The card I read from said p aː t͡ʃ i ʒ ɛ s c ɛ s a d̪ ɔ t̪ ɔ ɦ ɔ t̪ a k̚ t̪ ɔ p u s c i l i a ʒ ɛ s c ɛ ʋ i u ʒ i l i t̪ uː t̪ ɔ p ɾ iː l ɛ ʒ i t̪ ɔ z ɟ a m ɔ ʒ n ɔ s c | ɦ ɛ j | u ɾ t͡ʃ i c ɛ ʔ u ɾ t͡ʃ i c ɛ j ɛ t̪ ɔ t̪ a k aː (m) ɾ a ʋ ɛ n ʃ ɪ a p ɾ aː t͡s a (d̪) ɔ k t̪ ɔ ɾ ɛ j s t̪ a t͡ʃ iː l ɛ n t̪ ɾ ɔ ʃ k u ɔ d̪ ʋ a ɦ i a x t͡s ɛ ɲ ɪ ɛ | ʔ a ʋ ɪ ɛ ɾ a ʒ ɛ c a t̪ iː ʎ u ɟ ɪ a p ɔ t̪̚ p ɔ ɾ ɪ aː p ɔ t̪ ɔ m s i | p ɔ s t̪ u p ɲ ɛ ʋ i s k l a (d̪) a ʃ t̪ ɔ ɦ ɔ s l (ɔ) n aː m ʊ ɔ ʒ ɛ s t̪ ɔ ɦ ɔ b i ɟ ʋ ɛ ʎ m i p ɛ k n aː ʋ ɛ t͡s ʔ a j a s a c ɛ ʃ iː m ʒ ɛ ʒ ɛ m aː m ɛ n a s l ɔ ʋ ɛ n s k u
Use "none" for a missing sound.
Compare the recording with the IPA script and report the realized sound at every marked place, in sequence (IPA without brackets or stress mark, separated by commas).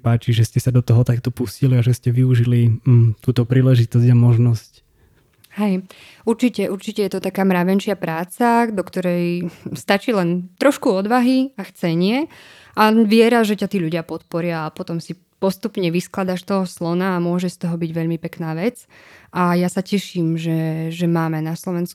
m, d̪, d̪, ɔ